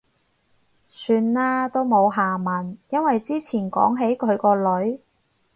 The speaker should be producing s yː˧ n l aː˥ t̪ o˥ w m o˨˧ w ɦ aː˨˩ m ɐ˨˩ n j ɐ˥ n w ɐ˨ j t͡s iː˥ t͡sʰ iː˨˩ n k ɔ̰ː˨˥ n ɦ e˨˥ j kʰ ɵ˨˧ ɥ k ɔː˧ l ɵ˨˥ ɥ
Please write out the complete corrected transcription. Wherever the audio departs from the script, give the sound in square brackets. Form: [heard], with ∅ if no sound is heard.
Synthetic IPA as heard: s yː˧ n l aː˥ t̪ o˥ w m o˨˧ w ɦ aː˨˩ m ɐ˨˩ n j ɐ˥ n w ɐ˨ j t͡s iː˥ t͡sʰ iː˨˩ n k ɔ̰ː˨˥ [ŋ] ɦ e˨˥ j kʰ ɵ˨˧ ɥ k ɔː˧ l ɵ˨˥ ɥ